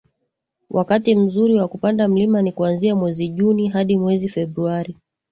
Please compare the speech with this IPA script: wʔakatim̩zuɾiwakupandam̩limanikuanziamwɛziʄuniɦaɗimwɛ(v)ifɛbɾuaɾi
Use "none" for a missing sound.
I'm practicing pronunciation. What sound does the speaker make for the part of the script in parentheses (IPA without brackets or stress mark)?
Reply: z